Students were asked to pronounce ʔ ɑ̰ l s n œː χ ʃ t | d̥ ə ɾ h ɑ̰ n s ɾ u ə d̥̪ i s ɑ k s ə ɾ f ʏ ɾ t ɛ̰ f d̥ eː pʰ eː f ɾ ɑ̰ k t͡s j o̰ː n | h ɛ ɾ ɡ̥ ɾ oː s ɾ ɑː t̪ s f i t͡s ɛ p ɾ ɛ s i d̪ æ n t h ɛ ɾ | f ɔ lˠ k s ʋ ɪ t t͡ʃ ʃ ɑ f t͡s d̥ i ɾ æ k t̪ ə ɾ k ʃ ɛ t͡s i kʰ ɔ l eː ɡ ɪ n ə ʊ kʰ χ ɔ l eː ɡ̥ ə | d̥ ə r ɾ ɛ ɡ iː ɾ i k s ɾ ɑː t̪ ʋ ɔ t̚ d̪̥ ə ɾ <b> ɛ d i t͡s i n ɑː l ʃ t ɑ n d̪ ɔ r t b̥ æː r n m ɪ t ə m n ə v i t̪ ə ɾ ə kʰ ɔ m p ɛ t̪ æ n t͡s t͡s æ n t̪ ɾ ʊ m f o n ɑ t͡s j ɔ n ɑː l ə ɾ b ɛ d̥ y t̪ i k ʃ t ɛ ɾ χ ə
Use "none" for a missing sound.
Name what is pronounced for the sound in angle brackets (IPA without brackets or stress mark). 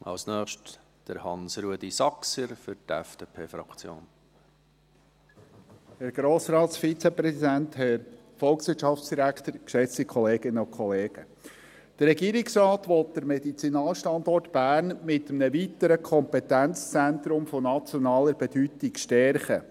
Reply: m